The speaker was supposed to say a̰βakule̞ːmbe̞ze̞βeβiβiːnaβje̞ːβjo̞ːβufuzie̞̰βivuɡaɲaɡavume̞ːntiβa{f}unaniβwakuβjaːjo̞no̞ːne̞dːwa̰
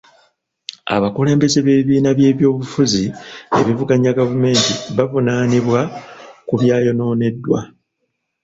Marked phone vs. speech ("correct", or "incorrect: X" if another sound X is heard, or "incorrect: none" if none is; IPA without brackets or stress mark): incorrect: v